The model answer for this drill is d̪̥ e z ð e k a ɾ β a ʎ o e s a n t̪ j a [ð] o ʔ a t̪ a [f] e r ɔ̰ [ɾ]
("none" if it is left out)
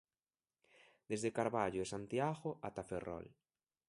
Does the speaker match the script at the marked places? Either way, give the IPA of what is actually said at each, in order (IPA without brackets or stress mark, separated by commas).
ɣ, f, l